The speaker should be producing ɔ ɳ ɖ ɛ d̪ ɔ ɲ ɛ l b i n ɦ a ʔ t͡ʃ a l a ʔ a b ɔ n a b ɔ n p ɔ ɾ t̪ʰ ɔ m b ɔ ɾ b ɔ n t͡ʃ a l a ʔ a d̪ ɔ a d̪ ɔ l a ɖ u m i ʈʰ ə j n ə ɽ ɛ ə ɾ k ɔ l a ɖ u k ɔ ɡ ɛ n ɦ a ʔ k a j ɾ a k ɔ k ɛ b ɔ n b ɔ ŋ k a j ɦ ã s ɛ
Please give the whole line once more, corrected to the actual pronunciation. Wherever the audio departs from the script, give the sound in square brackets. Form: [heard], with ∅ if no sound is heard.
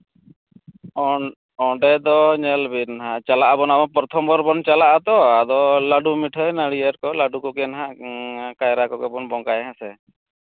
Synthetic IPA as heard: ɔ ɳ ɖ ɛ d̪ ɔ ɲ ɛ l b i n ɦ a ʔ t͡ʃ a l a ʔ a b ɔ n a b ɔ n p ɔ ɾ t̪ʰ ɔ m b ɔ ɾ b ɔ n t͡ʃ a l a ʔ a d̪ ɔ a d̪ ɔ l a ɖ u m i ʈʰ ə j n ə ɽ [i] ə ɾ k ɔ l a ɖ u k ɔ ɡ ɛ n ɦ a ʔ k a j ɾ a k ɔ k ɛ b ɔ n b ɔ ŋ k a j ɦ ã s ɛ